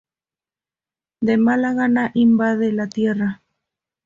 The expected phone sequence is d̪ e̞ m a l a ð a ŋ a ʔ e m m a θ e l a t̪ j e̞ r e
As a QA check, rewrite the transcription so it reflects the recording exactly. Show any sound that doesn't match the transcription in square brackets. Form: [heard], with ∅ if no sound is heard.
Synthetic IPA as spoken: d̪ e̞ m a l a [ɣ] a [n] a ʔ [i] m [b] a [ð] e l a t̪ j e̞ r [a]